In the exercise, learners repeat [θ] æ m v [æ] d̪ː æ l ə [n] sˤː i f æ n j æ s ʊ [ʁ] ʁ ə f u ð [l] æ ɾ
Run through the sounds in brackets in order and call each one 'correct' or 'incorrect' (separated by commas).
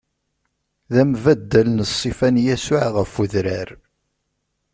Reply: incorrect, correct, correct, incorrect, incorrect